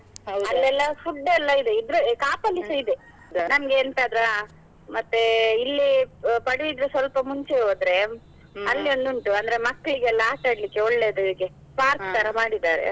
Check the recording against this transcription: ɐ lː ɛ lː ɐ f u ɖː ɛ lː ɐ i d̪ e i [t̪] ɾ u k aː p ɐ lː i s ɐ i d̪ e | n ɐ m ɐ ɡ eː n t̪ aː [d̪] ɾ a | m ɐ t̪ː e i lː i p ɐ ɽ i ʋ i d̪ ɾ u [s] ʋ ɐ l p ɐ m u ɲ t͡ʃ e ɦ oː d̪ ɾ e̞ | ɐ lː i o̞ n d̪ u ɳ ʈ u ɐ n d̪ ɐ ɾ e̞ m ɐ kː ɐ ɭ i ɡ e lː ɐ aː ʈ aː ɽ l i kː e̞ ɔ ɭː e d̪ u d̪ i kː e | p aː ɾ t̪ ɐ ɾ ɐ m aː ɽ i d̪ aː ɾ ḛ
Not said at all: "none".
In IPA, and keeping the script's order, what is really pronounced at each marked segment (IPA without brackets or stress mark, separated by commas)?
d̪, d̪, s